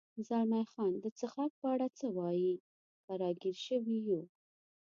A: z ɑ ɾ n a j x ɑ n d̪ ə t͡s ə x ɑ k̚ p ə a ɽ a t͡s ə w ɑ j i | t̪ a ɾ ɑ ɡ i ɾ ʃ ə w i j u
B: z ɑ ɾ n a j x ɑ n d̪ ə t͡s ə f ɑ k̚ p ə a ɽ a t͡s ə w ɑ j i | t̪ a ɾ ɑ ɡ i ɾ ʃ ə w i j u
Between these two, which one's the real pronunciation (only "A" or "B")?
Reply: A